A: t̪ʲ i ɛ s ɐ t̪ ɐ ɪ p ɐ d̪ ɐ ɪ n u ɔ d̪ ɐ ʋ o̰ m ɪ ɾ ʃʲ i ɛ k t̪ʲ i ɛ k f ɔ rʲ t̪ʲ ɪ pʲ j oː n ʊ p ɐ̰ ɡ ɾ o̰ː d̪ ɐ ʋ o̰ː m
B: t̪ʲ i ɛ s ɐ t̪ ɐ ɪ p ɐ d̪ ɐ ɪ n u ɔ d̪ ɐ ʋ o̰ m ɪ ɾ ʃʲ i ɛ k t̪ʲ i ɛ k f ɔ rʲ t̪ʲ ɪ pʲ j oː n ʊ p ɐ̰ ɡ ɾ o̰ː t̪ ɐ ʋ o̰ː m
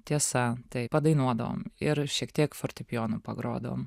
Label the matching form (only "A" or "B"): A